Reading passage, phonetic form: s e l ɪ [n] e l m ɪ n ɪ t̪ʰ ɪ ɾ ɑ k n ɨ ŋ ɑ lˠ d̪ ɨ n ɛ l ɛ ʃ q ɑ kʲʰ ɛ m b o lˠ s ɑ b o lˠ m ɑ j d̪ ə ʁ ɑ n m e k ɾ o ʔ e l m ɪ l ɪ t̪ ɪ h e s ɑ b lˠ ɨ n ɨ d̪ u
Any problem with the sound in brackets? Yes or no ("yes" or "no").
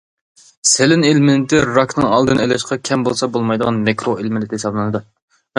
no